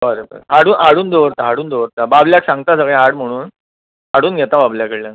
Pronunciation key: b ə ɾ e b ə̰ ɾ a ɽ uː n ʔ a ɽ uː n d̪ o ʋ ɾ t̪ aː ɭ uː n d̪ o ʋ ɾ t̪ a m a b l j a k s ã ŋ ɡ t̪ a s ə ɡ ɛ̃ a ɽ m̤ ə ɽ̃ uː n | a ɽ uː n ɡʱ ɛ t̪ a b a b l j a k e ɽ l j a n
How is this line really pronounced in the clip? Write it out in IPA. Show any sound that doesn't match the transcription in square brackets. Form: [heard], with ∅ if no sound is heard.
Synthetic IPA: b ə ɾ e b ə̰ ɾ a ɽ uː n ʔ a ɽ uː n d̪ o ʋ ɾ t̪ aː [ɽ] uː n d̪ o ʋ ɾ t̪ a [b] a b l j a k s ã ŋ ɡ t̪ a s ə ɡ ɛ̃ a ɽ m̤ ə ɽ̃ uː n | a ɽ uː n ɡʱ ɛ t̪ a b a b l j a k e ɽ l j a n

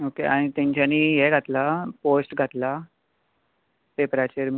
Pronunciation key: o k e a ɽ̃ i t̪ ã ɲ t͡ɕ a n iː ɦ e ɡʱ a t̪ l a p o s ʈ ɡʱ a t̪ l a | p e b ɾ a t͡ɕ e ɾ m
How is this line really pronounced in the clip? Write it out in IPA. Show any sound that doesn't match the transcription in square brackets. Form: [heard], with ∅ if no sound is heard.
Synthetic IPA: o k e a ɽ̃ i t̪ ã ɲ t͡ɕ a n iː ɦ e ɡʱ a t̪ l a p o s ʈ ɡʱ a t̪ l a | p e [p] ɾ a t͡ɕ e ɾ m

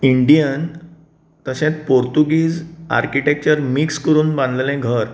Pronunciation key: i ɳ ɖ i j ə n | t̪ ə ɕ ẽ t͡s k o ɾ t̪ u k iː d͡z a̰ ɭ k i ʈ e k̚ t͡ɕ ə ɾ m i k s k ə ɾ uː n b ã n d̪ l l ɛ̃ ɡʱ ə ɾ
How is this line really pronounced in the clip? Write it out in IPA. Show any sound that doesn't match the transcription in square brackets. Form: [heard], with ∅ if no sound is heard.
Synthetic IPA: i ɳ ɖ i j ə n | t̪ ə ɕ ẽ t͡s [p] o ɾ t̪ u [ɡ] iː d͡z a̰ [ɾ] k i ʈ e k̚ t͡ɕ ə ɾ m i k s k ə ɾ uː n b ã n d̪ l l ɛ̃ ɡʱ ə ɾ

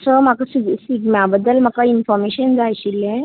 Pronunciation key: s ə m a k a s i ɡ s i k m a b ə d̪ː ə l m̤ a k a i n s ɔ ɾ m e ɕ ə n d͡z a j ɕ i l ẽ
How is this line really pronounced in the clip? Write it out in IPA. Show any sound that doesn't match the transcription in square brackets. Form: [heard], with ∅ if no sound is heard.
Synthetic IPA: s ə m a k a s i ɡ s i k m a b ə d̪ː ə l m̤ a k a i n [f] ɔ ɾ m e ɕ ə n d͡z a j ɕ i l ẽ

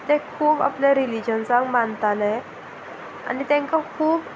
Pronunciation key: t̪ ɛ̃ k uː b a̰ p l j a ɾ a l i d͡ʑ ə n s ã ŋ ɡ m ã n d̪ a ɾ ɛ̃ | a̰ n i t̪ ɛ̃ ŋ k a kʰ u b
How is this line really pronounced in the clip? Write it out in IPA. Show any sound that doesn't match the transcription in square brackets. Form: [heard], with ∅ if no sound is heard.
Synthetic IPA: t̪ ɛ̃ [kʰ] uː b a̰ p l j a ɾ [i] l i d͡ʑ ə n s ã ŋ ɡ m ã n [t̪] a [l] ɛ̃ | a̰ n i t̪ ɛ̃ ŋ k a kʰ [uː] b

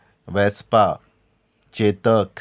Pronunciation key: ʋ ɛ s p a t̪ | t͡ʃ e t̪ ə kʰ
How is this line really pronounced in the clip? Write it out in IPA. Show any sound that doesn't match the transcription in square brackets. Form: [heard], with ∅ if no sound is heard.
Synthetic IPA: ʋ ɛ s p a [∅] | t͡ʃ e t̪ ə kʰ

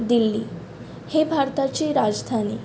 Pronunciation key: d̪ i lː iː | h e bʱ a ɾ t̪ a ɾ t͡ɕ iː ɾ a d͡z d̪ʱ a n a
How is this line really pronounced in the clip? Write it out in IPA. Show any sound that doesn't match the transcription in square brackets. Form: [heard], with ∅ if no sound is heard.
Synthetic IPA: d̪ i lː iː | h e bʱ a ɾ t̪ a [∅] t͡ɕ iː ɾ a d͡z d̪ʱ a n [i]

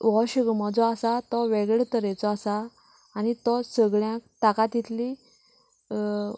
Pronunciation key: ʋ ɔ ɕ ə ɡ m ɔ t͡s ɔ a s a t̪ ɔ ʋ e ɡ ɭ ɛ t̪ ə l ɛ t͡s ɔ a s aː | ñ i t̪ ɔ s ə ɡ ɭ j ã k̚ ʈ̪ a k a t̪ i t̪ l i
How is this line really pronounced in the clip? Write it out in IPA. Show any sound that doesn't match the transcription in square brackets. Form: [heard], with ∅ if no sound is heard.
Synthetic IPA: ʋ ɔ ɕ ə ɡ m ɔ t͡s ɔ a s a t̪ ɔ ʋ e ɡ ɭ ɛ t̪ ə [ɾ] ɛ t͡s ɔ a s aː | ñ i t̪ ɔ s ə ɡ ɭ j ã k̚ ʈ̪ a k a t̪ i t̪ l i

